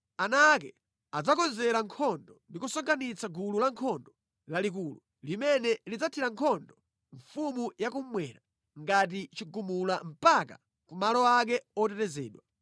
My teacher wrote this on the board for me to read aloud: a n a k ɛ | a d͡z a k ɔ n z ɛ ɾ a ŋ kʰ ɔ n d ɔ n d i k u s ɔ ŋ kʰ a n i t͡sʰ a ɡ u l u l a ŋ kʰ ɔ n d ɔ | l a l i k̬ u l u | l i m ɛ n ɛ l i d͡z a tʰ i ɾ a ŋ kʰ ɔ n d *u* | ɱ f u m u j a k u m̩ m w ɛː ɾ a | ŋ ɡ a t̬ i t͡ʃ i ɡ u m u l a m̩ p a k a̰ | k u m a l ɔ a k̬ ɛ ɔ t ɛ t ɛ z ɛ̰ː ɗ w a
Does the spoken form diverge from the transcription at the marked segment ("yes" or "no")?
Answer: yes